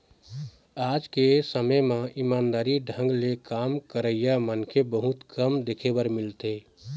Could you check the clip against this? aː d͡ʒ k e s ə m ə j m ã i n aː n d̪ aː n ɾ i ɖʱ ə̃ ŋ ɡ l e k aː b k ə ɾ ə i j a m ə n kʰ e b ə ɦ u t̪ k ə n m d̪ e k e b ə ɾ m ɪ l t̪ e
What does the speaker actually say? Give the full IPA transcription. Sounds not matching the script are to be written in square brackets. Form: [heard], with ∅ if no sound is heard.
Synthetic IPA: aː d͡ʒ k e s ə m ə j m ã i [m] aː n d̪ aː [∅] ɾ i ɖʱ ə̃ ŋ ɡ l e k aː [m] k ə ɾ ə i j a m ə n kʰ e b ə ɦ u t̪ k ə [∅] m d̪ e [kʰ] e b ə ɾ m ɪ l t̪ e